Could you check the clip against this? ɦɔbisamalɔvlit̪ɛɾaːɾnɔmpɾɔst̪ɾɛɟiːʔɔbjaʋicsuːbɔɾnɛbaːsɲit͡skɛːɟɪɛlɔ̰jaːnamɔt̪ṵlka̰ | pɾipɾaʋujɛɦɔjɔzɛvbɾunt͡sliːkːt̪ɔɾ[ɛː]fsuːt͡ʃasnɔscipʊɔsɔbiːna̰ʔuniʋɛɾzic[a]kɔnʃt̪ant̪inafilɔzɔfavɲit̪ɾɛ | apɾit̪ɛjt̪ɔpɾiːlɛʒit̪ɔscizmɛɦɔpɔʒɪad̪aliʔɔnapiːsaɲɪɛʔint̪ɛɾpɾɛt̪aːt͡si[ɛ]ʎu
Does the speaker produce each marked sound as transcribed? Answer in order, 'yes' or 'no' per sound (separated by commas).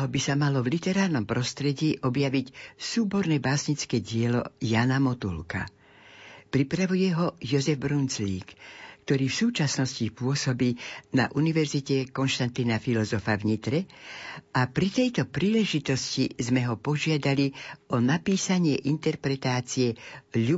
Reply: no, no, yes